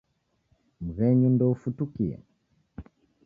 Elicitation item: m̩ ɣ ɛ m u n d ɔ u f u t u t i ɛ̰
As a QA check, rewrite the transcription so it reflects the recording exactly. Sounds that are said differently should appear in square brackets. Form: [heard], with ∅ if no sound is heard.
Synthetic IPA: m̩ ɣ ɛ [ɲ] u n d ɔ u f u t u [k] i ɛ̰